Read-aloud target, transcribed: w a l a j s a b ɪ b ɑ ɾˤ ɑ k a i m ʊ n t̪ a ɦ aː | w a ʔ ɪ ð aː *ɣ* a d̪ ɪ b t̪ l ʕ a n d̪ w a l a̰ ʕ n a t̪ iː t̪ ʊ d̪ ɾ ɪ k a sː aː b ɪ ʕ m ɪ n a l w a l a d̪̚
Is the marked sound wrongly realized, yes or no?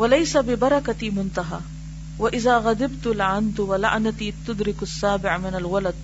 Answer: no